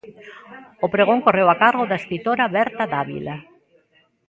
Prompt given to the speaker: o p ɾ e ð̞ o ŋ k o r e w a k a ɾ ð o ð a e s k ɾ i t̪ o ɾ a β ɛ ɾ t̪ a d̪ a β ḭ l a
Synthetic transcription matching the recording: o p ɾ e ɣ̞ o ŋ k o r e w a k a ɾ ɣ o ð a e s k ɾ i t̪ o ɾ a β ɛ ɾ t̪ a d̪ a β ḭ l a